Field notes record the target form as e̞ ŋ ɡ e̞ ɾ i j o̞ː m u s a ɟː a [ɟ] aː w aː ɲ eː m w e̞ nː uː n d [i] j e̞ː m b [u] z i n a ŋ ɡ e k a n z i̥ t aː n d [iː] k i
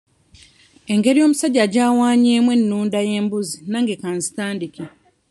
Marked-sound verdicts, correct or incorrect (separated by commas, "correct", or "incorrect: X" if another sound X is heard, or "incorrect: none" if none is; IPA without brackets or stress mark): correct, incorrect: a, correct, incorrect: i